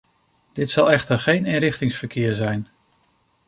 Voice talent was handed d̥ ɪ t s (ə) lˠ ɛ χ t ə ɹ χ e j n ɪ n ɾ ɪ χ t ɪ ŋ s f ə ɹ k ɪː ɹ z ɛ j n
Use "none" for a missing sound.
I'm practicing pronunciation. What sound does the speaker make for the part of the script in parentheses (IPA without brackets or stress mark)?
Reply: ɑ